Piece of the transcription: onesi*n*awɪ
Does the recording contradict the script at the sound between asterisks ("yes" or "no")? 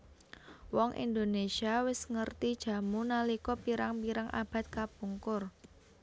yes